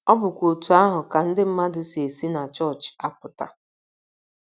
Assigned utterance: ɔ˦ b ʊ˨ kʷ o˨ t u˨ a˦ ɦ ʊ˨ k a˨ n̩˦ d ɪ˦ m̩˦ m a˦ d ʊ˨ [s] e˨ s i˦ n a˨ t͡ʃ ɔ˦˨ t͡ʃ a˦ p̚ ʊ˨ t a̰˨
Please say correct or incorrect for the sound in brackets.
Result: correct